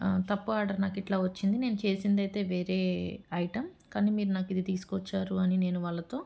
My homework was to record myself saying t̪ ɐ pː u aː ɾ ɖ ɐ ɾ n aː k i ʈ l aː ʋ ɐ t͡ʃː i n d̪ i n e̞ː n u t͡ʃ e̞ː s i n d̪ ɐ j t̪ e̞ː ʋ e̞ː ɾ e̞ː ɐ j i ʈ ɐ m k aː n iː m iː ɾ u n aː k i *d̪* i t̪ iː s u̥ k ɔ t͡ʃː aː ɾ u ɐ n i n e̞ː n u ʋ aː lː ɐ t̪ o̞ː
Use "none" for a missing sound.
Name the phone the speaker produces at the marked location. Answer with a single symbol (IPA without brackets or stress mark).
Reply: d̪